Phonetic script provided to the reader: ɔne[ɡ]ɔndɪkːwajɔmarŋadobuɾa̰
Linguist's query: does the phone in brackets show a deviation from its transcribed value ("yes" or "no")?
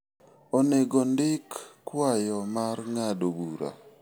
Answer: no